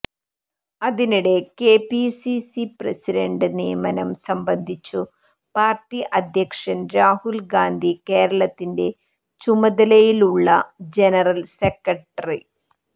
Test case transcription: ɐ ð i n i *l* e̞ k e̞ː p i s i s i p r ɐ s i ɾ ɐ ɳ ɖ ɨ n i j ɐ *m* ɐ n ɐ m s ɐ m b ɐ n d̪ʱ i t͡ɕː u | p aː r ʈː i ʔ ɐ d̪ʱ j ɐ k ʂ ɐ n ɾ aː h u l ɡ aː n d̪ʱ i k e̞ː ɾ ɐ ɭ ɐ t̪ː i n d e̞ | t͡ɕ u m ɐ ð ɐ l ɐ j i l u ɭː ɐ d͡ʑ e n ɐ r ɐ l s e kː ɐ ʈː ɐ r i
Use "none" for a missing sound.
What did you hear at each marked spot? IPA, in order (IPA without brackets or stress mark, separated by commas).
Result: ɽ, m